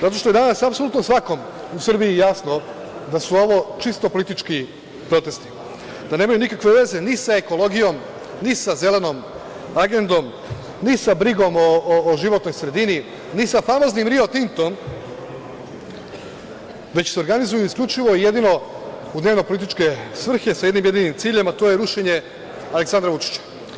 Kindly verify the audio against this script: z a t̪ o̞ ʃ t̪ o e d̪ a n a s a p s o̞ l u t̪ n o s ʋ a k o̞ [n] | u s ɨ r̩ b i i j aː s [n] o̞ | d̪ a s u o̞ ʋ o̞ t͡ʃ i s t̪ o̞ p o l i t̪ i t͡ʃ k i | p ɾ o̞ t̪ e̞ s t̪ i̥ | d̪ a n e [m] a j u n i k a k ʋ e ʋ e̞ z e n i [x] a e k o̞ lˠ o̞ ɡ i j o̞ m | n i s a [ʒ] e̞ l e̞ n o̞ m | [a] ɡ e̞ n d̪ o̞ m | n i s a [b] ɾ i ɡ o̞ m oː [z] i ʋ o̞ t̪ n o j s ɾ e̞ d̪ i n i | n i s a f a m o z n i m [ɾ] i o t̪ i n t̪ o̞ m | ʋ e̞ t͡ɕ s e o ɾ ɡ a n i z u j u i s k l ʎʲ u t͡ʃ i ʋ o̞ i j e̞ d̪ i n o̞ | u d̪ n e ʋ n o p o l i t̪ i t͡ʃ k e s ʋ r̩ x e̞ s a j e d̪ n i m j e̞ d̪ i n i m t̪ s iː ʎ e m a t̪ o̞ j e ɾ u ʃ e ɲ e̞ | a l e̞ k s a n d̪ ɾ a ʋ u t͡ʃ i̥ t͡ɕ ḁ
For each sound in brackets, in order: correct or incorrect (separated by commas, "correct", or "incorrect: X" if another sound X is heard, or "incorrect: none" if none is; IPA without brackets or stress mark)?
incorrect: m, correct, correct, incorrect: s, incorrect: z, correct, correct, incorrect: ʒ, correct